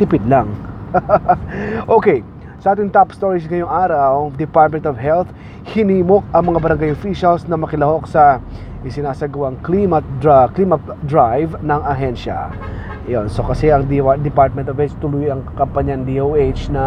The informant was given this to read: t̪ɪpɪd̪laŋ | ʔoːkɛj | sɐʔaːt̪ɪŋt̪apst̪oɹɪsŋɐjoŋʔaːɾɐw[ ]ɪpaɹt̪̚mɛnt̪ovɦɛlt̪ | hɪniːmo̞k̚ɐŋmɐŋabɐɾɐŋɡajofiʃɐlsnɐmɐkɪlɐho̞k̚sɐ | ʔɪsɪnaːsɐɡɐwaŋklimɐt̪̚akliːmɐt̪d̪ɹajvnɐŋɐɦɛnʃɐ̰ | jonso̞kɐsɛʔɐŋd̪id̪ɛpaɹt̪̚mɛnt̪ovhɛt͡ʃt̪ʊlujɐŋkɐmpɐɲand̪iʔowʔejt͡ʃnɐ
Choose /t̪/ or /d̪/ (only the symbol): d̪